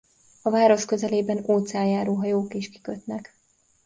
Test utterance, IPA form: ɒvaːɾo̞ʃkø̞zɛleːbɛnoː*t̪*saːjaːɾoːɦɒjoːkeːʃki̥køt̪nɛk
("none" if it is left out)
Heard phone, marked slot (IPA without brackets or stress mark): t̪